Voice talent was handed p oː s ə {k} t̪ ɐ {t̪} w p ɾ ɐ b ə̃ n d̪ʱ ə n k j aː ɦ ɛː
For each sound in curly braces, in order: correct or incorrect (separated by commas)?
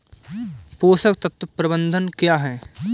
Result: correct, correct